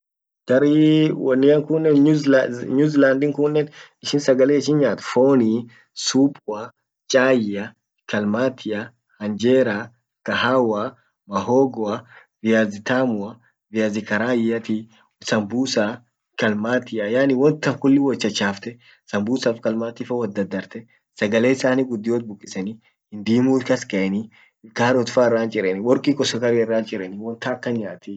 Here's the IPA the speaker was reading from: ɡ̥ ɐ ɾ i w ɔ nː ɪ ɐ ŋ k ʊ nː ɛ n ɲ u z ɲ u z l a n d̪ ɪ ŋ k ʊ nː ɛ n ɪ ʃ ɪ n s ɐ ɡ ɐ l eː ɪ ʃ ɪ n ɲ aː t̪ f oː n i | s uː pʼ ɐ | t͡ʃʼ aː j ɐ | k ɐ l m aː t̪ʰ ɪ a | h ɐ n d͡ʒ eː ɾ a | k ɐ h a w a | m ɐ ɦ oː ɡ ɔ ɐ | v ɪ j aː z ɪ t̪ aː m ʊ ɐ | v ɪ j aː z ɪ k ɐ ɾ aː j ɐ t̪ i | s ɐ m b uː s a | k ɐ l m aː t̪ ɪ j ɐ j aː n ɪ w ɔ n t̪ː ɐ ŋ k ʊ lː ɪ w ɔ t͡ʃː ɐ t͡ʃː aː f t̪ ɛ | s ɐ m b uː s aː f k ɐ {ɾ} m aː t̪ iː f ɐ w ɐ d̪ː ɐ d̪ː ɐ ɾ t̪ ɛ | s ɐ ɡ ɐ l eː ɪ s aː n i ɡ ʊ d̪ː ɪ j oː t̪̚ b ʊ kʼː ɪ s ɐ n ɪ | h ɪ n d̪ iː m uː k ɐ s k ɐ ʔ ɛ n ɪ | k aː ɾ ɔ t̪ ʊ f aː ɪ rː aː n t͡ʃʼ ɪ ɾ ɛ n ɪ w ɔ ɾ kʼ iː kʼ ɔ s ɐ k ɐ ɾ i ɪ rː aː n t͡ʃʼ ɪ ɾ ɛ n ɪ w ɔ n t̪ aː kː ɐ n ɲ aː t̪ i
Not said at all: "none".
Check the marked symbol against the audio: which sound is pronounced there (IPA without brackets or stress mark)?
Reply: l